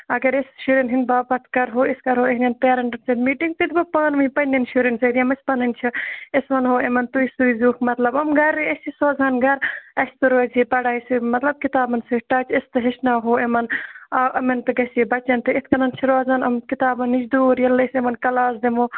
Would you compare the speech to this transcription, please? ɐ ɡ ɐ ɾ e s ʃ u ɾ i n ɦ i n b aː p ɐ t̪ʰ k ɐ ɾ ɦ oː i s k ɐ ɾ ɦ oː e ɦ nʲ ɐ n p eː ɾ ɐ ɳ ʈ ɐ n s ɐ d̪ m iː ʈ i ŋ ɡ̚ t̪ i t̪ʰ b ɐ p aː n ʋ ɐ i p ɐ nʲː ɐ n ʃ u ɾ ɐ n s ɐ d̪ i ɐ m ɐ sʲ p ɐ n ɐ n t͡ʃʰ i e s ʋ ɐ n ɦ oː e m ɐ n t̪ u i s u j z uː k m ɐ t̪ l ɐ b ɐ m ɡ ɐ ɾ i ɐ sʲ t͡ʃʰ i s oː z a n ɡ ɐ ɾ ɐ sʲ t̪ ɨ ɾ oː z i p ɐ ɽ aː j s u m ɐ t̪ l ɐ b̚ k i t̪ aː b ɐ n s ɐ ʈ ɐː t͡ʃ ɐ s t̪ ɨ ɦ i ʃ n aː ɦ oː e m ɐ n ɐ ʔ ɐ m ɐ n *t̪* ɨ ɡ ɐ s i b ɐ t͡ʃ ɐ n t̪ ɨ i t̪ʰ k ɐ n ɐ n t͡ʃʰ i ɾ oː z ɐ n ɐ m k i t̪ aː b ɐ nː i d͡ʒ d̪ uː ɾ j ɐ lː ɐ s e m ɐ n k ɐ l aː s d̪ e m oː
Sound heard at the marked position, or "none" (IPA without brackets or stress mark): t̪